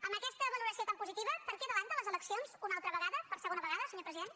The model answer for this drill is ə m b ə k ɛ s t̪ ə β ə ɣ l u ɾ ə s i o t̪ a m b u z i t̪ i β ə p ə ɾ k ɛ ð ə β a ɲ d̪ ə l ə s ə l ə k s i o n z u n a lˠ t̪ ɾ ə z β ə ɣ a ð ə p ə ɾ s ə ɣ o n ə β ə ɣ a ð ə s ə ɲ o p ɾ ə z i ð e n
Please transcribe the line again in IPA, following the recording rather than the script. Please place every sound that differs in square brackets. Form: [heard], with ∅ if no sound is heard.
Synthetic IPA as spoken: ə m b ə k ɛ s t̪ ə β ə [∅] l u ɾ ə s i o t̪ a m [p] u z i t̪ i β ə p ə ɾ k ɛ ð ə β a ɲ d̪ ə l ə [z] ə l ə k s i o n z u n a lˠ t̪ ɾ ə [∅] β ə ɣ a ð ə p ə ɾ s ə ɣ o n ə β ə ɣ a ð ə s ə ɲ o p ɾ ə z i ð e n